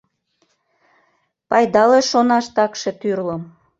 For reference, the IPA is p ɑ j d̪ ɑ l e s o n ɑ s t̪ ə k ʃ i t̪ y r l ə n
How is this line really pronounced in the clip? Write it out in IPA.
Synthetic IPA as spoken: p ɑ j d̪ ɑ l e ʃ o n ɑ ʃ t̪ ɑ k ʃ e t̪ y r l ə m